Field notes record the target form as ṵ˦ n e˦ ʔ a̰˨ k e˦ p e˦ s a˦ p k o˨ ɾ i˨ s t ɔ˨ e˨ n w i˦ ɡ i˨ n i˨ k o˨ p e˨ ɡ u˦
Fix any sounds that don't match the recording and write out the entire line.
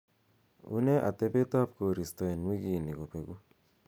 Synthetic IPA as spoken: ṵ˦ n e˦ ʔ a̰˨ t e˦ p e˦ t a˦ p k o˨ ɾ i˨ s t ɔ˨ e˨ n w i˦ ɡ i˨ n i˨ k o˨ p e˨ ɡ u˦